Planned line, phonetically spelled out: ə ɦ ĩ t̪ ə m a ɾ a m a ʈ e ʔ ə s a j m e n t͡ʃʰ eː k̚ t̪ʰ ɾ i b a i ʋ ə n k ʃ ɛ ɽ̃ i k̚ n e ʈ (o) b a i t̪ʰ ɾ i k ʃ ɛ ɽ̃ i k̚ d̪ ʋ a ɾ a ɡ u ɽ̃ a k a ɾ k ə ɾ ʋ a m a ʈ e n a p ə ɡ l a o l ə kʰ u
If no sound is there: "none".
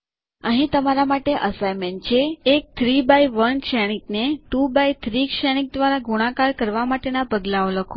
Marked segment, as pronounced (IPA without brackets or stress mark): u